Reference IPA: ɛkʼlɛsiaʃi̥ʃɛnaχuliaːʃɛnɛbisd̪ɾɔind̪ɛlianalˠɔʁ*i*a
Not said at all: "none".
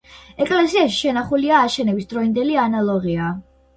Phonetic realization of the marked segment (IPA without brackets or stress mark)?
i